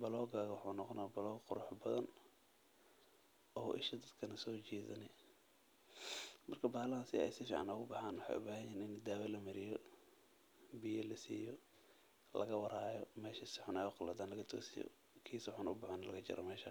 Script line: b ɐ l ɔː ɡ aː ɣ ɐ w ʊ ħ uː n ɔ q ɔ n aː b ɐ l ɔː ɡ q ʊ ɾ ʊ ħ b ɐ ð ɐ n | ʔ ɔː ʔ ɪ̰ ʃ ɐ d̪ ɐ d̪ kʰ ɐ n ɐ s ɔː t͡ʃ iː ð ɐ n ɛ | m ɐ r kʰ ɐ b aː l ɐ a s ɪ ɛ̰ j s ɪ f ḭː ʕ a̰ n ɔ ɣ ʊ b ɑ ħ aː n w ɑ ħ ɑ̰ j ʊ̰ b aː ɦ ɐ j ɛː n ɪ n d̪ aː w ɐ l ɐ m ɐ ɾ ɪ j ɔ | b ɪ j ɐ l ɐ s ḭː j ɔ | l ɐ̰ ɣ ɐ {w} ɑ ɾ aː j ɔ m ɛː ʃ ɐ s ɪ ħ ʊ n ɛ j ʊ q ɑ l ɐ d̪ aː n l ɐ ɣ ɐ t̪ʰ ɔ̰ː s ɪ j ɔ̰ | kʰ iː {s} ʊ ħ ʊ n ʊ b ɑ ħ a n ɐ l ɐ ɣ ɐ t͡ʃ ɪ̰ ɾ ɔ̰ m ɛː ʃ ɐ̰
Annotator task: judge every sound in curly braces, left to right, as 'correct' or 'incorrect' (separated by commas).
correct, correct